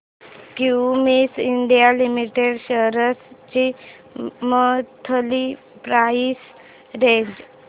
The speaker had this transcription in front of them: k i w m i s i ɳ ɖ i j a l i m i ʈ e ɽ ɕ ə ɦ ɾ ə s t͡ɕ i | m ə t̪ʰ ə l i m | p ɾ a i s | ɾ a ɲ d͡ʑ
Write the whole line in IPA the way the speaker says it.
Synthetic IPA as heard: k i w m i s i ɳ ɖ i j a l i m i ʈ e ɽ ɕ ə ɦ ɾ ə s t͡ɕ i | m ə t̪ʰ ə l i | p ɾ a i s | ɾ e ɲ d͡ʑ